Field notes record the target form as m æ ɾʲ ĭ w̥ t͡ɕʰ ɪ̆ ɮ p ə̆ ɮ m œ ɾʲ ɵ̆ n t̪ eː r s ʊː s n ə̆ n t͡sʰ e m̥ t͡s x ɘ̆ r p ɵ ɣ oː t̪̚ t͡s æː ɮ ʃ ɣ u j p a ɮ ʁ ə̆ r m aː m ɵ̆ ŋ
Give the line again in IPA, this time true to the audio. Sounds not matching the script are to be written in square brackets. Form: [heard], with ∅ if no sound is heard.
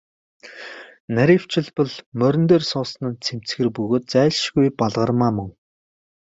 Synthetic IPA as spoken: [n] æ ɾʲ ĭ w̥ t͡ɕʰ ɪ̆ ɮ p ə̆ ɮ m œ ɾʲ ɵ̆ n t̪ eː r s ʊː s n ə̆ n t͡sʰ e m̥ t͡s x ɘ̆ r p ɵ ɣ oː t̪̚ t͡s æː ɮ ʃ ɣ u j p a ɮ ʁ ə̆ r m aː m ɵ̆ ŋ